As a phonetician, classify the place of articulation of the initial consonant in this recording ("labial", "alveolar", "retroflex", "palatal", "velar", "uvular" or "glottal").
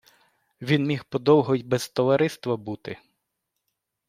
labial